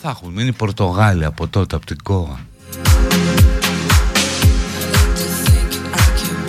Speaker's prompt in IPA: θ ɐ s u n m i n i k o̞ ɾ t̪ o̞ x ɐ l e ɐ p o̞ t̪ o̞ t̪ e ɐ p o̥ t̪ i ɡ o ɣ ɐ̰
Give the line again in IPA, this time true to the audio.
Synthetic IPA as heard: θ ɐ x u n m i n i p o̞ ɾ t̪ o̞ ɣ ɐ l i ɐ p o̞ t̪ o̞ t̪ e ɐ p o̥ t̪ i ɡ o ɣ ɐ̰